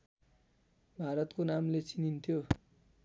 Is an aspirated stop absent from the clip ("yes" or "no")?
no